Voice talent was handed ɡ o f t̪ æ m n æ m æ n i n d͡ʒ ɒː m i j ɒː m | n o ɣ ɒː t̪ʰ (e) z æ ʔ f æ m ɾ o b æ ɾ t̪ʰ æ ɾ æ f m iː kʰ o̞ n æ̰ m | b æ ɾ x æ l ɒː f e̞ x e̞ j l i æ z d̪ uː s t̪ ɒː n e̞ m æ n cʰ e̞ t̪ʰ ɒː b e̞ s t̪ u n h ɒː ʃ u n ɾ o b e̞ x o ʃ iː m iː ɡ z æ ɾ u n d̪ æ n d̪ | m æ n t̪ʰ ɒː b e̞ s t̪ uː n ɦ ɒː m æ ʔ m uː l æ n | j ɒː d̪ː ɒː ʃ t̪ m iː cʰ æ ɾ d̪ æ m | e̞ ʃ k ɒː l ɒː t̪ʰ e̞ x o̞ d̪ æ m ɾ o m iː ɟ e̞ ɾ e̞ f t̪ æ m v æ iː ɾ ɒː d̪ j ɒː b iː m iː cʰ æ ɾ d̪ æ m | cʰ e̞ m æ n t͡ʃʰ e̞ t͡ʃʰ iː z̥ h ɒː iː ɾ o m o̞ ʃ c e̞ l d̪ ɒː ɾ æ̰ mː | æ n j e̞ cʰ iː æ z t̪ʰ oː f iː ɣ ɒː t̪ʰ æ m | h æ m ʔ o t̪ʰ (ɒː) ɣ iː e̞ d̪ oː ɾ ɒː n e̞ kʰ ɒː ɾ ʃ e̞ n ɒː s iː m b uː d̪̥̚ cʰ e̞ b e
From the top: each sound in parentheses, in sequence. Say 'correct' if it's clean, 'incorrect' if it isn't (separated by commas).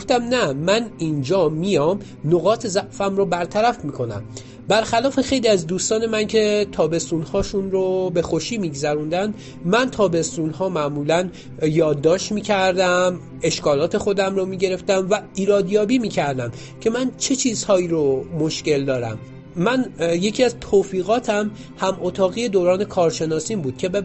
correct, correct